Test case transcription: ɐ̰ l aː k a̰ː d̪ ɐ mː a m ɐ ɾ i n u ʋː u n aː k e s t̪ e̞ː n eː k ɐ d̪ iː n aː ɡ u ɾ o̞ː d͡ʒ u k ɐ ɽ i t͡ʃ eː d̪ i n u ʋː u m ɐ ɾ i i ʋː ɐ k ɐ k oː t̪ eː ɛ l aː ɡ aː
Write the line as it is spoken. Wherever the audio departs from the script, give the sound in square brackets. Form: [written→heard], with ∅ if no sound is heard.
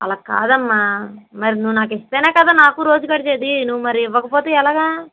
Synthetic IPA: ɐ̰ l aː k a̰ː d̪ ɐ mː a m ɐ ɾ i n u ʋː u n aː k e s t̪ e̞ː n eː k ɐ d̪ [iː→aː] n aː [ɡ→k] u ɾ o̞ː d͡ʒ u k ɐ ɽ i t͡ʃ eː d̪ i n u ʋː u m ɐ ɾ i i ʋː ɐ k ɐ [k→p] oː t̪ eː ɛ l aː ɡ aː